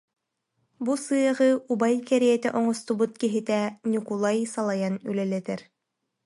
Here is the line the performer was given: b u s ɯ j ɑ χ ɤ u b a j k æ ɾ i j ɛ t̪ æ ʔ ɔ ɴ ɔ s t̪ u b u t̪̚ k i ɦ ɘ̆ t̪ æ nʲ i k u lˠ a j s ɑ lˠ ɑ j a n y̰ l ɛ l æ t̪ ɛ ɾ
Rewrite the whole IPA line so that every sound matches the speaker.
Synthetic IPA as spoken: b u s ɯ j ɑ ʁ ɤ u b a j k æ ɾ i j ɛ t̪ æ ʔ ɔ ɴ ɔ s t̪ u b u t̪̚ k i ɦ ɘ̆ t̪ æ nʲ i k u lˠ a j s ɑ lˠ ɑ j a n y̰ l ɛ l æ t̪ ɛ ɾ